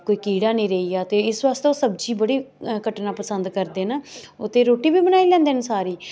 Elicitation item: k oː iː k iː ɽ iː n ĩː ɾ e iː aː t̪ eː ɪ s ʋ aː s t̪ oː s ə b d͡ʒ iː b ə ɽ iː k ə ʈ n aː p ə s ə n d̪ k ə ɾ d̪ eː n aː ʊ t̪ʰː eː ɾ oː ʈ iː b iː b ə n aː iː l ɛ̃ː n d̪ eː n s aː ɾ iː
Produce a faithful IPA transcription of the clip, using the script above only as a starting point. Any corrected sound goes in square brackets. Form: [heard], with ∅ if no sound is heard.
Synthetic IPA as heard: k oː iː k iː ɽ [aː] n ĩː ɾ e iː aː t̪ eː ɪ s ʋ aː s t̪ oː s ə b d͡ʒ iː b ə ɽ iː k ə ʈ n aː p ə s ə n d̪ k ə ɾ d̪ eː n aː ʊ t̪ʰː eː ɾ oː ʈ iː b iː b ə n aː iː l ɛ̃ː n d̪ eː n s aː ɾ iː